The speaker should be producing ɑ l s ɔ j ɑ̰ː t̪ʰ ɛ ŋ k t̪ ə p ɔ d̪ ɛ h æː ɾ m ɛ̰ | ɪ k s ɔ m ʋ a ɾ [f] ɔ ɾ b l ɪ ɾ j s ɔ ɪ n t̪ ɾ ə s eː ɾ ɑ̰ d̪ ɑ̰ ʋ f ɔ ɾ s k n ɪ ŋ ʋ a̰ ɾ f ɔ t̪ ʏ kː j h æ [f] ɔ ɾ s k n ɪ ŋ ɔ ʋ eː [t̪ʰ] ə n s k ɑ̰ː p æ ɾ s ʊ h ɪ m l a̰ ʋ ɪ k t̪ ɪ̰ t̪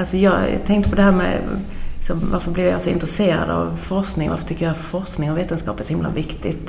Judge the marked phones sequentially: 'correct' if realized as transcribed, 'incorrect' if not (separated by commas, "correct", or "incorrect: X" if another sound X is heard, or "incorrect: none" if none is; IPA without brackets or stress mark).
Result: correct, correct, incorrect: t̪